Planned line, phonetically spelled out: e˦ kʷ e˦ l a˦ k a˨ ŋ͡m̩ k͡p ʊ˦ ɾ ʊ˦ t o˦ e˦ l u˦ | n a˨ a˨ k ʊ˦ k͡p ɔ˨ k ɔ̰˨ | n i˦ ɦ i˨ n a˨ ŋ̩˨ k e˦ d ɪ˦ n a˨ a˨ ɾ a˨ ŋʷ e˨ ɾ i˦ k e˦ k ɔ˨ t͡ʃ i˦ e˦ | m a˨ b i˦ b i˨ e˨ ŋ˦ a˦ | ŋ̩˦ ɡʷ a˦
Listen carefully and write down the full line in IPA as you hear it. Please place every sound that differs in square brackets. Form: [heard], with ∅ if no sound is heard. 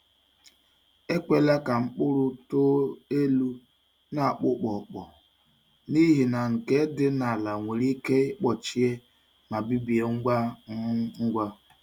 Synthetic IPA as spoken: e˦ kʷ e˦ l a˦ k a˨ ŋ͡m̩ k͡p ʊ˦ ɾ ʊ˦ t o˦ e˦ l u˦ | n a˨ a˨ [k͡p] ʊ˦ k͡p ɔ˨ [k͡p] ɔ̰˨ | n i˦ ɦ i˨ n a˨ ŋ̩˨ k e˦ d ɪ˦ n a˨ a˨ [l] a˨ ŋʷ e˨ ɾ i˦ k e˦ [k͡p] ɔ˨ t͡ʃ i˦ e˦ | m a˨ b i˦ b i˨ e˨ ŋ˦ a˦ | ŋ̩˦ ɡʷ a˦